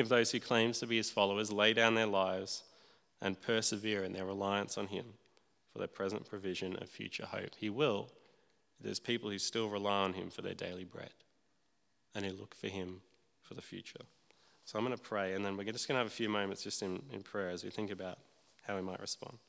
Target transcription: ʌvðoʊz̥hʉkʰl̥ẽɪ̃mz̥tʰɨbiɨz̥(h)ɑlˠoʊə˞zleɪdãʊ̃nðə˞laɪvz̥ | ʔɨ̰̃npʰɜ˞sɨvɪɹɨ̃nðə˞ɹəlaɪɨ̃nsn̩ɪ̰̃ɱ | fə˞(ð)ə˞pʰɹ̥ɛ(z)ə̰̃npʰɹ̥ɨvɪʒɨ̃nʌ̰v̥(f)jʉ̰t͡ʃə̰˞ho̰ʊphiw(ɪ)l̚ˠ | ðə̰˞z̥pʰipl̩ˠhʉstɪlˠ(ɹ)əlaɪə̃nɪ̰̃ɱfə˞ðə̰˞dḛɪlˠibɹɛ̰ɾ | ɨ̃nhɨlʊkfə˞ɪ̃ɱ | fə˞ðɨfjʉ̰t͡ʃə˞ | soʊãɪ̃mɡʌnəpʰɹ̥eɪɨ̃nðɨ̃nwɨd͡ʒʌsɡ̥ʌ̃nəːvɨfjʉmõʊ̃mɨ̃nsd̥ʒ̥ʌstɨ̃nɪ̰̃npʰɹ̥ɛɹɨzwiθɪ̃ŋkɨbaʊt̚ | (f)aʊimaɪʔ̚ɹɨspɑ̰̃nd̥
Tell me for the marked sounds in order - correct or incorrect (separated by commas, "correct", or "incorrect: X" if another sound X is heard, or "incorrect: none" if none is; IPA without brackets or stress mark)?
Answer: incorrect: f, correct, correct, correct, correct, correct, incorrect: h